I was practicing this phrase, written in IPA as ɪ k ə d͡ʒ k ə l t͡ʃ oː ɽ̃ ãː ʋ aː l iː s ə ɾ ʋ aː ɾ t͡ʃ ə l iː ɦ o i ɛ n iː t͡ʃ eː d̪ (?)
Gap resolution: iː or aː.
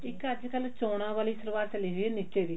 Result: iː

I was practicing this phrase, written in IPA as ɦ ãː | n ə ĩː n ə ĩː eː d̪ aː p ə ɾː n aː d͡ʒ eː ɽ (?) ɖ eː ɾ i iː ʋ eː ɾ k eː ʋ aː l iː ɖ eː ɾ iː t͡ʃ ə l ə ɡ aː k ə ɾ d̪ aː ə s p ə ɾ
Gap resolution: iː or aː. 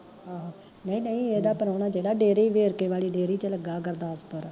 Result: aː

